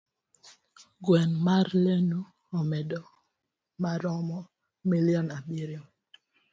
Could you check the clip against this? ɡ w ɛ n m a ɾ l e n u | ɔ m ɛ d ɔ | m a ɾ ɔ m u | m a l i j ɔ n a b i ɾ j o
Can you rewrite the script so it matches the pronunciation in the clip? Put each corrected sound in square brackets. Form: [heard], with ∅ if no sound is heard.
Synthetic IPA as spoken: ɡ w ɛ n m a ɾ l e n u | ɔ m ɛ d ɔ | m a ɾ ɔ m [ɔ] | m [i] l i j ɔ n a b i ɾ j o